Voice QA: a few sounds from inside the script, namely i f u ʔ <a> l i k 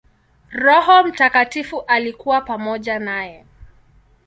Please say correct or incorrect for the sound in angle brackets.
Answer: correct